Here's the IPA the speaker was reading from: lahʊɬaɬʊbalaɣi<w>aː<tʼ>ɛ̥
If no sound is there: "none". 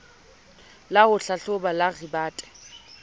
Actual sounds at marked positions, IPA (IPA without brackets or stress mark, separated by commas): b, tʼ